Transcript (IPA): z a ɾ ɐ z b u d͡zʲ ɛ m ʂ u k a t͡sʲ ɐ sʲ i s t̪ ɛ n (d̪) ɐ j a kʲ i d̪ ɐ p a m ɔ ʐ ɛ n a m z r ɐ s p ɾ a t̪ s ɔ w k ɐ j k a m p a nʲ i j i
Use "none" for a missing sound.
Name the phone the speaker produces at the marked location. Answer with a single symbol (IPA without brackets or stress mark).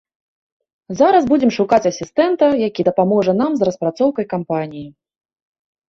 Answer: t̪